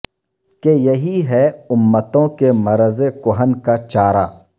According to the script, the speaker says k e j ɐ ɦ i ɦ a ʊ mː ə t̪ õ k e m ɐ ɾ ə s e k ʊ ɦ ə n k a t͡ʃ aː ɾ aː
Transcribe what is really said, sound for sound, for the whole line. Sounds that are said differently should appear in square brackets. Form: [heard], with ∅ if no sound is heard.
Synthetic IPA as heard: k e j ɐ ɦ i ɦ [ɛ] ʊ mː ə t̪ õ k e m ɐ ɾ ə [z] e k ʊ ɦ ə n k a t͡ʃ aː ɾ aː